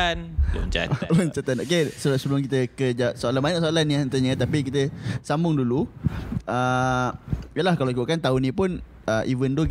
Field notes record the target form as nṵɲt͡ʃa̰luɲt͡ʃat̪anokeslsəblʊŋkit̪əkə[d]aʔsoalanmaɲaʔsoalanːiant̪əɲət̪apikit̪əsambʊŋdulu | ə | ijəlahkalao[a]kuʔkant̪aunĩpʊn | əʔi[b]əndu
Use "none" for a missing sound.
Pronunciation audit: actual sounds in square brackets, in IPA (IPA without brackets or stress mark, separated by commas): d͡ʒ, i, v